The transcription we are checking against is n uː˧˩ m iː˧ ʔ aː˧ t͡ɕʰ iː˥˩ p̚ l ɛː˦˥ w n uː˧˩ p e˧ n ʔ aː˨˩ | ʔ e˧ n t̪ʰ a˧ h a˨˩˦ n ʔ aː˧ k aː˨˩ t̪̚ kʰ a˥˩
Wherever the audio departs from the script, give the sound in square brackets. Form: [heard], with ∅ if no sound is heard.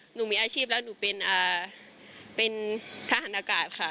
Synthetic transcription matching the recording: n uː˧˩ m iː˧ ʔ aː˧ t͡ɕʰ iː˥˩ p̚ l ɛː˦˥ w n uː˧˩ p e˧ n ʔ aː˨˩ | [p] e˧ n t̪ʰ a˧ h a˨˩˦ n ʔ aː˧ k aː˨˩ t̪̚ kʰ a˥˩